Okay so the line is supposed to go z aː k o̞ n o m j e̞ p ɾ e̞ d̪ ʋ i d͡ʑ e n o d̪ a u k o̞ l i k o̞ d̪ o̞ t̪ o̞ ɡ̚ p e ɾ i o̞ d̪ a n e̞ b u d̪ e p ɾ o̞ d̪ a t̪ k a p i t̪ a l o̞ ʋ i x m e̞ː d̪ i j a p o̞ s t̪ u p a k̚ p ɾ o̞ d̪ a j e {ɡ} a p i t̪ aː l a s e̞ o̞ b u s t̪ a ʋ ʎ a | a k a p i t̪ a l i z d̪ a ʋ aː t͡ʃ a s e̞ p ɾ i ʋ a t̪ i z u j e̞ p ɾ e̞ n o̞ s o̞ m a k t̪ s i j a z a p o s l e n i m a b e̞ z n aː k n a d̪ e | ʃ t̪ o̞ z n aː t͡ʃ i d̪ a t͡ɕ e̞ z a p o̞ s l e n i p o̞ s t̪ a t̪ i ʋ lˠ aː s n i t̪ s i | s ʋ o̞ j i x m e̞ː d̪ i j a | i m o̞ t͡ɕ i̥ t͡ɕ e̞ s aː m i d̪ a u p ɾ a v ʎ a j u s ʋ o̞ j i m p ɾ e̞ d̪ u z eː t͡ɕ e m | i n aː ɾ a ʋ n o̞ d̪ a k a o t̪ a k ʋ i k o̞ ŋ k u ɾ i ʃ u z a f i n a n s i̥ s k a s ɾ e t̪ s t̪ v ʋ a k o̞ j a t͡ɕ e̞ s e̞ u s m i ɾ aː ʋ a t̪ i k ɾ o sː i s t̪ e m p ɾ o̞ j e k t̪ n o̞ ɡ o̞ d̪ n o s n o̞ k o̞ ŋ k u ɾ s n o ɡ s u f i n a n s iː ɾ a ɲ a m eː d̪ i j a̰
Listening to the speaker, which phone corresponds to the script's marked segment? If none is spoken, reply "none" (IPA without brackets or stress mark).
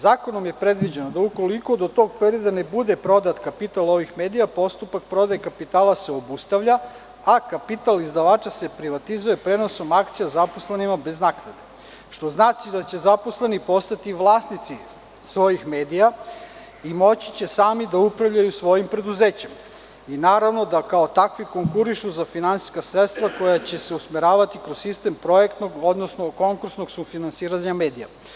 k